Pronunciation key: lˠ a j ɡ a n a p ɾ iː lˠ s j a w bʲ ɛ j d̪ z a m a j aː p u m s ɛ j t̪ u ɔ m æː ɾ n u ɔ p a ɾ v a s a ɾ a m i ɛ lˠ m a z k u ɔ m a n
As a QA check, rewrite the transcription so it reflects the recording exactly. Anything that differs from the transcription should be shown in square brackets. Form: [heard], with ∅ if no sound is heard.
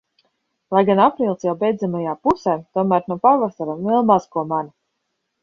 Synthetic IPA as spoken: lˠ a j ɡ a n a p ɾ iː lˠ s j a w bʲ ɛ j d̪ z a m a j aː p u [∅] s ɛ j t̪ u ɔ m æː ɾ n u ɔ p a ɾ v a s a ɾ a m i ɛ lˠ m a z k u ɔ m a n